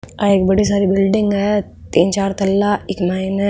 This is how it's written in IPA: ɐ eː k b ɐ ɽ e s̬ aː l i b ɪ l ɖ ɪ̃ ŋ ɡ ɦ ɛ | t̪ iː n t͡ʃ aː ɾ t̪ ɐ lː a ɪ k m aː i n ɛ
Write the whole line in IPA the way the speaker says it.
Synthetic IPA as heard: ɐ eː k b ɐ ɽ i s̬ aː ɾ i b ɪ l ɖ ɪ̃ ŋ ɡ ɦ ɛ | t̪ iː n t͡ʃ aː ɾ t̪ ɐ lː a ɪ k m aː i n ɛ